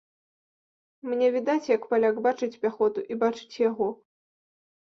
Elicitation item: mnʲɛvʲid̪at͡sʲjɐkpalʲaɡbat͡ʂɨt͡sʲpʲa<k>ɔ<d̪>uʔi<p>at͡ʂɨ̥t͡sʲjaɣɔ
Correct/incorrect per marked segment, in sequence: incorrect: x, incorrect: t̪, incorrect: b

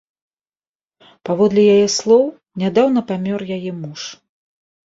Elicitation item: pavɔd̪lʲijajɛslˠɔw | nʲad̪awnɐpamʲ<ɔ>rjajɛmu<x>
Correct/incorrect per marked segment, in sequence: correct, incorrect: ʂ

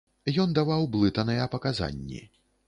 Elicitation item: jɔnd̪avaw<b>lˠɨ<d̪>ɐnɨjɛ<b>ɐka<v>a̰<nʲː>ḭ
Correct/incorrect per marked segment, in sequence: correct, incorrect: t̪, incorrect: p, incorrect: z, correct

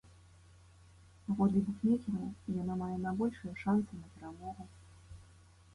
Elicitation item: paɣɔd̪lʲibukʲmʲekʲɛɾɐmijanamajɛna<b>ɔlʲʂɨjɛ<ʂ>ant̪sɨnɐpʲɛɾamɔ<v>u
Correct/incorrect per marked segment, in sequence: correct, correct, incorrect: ɣ

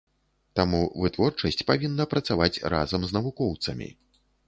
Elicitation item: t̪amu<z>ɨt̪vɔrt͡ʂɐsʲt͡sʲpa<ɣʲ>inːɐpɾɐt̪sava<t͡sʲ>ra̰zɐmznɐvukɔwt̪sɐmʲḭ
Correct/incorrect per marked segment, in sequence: incorrect: v, incorrect: vʲ, correct

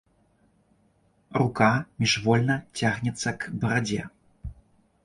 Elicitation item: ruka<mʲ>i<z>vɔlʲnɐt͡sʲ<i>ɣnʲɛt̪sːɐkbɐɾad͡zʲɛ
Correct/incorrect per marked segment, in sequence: correct, incorrect: ʐ, incorrect: a

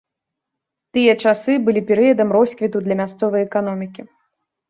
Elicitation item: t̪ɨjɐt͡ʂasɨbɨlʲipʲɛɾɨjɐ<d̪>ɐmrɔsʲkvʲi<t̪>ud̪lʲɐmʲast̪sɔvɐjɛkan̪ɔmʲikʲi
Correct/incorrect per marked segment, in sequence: correct, correct

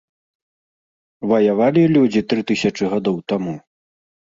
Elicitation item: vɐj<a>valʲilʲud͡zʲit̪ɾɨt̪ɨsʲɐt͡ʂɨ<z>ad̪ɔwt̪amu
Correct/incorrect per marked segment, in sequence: correct, incorrect: ɣ

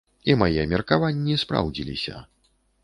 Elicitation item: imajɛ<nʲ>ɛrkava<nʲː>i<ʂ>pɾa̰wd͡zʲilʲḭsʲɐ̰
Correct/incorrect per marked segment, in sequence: incorrect: mʲ, correct, incorrect: s

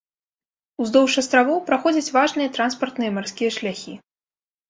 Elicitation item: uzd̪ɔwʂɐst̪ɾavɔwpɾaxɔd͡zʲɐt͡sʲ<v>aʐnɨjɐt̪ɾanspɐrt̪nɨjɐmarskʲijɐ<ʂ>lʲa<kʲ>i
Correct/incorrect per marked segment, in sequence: correct, correct, incorrect: xʲ

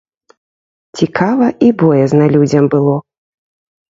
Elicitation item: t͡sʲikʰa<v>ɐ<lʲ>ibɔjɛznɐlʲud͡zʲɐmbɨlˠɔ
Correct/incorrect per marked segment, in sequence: correct, incorrect: none

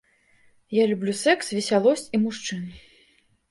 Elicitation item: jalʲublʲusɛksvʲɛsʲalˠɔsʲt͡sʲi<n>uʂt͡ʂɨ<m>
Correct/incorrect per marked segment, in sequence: incorrect: m, incorrect: n

